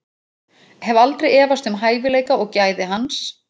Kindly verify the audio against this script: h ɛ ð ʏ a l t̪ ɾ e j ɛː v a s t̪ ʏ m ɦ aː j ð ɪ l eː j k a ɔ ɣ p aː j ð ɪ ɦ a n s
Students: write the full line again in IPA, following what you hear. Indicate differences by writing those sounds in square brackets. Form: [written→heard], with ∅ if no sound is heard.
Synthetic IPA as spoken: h ɛ [ð→v] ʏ a l t̪ ɾ e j ɛː v a s t̪ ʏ m ɦ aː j [ð→v] ɪ l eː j k a ɔ ɣ [p→c] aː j ð ɪ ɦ a n s